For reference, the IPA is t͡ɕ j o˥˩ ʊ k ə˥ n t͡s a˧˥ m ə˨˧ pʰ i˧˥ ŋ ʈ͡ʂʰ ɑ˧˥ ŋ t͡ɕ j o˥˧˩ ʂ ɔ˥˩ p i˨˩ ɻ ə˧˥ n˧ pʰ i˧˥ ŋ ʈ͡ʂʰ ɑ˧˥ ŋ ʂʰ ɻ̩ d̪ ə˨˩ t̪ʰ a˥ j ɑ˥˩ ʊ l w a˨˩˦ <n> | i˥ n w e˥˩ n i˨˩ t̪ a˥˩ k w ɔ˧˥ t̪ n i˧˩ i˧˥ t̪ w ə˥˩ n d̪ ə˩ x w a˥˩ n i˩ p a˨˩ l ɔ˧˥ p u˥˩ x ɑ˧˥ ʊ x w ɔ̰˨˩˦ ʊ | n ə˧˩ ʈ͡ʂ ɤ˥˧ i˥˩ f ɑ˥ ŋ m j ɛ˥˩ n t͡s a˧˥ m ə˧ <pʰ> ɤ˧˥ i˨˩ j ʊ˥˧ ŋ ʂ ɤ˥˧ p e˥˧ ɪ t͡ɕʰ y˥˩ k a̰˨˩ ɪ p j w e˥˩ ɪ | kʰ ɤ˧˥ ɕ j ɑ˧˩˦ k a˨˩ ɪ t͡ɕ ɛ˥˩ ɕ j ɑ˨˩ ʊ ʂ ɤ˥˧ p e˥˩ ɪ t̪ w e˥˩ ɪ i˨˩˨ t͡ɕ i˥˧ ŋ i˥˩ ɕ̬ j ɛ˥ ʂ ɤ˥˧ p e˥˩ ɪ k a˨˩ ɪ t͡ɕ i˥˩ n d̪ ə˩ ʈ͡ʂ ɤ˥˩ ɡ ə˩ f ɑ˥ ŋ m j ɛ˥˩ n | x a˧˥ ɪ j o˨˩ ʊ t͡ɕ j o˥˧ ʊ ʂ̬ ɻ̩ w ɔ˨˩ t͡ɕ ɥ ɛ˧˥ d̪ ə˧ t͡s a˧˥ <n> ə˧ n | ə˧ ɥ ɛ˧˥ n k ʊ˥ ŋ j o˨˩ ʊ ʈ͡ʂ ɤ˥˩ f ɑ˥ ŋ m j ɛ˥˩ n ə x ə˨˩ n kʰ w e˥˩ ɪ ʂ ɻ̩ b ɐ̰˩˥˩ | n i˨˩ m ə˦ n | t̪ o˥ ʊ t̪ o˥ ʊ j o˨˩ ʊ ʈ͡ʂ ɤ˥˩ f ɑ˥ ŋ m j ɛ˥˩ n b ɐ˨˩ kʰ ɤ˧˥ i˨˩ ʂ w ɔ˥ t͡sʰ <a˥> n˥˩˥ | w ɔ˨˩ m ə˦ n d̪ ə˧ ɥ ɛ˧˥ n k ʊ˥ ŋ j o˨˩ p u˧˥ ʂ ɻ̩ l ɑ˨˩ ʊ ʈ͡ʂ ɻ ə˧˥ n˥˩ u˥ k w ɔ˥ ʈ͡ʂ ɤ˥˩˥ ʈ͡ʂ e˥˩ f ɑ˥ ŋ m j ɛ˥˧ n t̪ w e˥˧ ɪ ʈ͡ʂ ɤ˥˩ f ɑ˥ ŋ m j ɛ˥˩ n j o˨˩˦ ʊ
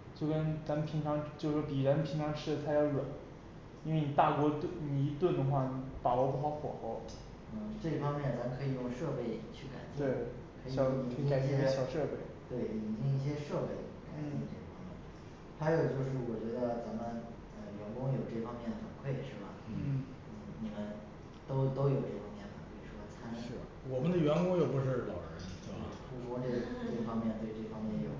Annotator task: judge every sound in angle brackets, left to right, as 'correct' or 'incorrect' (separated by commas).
correct, incorrect, incorrect, correct